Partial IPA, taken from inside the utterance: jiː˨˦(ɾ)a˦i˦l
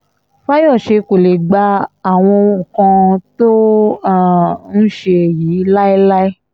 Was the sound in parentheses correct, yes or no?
no